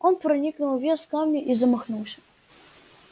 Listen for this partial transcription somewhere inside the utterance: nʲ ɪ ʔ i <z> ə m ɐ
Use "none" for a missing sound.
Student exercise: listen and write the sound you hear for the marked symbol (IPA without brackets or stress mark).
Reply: z